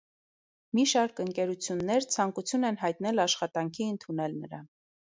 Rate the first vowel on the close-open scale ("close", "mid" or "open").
close